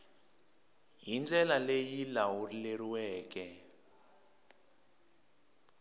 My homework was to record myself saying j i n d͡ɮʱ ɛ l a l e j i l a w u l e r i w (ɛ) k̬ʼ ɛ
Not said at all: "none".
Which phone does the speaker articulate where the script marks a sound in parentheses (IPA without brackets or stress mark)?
ɛː